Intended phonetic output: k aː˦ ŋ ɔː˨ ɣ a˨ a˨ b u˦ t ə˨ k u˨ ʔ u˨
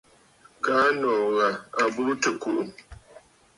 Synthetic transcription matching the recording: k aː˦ n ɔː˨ ɣ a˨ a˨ b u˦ t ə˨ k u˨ ʔ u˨

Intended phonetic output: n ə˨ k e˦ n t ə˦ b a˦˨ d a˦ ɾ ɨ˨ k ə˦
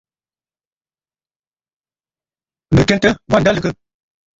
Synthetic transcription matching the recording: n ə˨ k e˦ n t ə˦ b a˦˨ d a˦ l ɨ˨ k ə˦

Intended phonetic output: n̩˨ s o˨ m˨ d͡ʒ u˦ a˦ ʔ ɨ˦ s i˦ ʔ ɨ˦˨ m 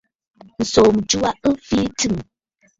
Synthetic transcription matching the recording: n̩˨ s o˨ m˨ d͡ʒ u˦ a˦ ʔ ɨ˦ f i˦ t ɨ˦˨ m

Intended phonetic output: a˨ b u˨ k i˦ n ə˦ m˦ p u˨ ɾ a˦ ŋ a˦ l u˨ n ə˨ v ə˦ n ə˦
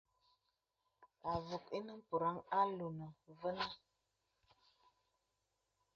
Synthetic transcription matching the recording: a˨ v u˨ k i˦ n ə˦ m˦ p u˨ ɾ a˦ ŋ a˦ l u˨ n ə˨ v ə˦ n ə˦

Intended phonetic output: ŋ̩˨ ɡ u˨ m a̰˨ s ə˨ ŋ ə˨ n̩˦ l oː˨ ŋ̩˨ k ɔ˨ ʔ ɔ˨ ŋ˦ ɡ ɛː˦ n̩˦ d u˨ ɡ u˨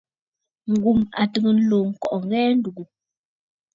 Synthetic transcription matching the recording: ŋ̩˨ ɡ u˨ m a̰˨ t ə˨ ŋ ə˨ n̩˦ l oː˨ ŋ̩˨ k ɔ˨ ʔ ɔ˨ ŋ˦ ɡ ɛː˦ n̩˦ d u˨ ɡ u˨

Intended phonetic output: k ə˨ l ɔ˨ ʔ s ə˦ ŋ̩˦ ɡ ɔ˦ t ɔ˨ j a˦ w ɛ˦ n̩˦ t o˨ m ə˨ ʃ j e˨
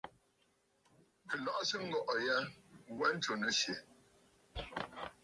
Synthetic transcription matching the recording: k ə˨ l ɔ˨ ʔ s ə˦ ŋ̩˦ ɡ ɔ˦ ʔ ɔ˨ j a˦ w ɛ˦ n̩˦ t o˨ n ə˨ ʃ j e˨

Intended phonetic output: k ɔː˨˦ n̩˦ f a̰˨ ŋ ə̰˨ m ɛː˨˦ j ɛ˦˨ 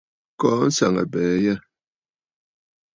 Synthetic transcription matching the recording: k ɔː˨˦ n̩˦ s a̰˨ ŋ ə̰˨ b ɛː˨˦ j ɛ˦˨

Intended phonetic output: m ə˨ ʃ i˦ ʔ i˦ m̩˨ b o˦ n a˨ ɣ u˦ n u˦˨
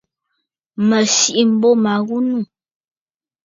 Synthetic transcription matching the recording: m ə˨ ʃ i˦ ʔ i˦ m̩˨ b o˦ m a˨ ɣ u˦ n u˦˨

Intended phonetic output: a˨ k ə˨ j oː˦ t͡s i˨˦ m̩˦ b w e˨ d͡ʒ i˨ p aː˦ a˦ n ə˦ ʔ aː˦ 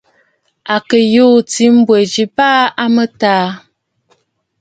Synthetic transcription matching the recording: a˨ k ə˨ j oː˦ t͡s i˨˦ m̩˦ b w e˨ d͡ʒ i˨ p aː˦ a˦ m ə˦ t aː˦

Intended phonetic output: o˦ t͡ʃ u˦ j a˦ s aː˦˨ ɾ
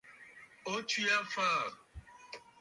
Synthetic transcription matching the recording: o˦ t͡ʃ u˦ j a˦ f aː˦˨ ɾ

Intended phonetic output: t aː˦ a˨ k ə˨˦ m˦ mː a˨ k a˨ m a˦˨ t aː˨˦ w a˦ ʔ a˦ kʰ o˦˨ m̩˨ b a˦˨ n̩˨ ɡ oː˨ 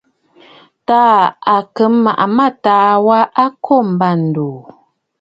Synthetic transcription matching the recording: t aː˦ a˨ k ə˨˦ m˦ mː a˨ ʔ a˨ m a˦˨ t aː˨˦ w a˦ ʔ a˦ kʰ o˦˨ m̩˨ b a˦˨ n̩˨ d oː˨

